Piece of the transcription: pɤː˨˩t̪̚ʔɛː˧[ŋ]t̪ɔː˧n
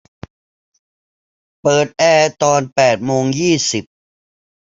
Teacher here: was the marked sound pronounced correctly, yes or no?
no